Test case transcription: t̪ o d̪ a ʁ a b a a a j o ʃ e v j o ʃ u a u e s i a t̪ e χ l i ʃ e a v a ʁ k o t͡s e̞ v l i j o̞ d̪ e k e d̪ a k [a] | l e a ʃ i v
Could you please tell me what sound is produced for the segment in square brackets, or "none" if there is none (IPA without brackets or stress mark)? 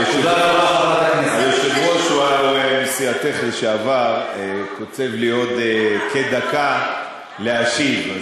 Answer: a